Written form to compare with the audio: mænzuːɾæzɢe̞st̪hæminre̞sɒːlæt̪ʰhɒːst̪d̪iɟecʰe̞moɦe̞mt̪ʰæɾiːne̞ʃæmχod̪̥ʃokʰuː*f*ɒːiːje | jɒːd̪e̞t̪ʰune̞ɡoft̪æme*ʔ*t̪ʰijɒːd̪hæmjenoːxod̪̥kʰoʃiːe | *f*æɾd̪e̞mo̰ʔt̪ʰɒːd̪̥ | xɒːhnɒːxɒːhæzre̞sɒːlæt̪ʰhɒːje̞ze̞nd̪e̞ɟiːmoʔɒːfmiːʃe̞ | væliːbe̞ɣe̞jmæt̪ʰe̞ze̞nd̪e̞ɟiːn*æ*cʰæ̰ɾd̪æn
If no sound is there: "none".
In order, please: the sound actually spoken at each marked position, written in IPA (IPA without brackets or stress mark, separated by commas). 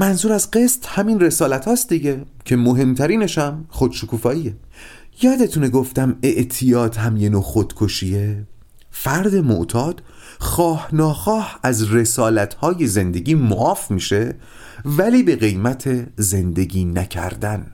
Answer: f, ʔ, f, æ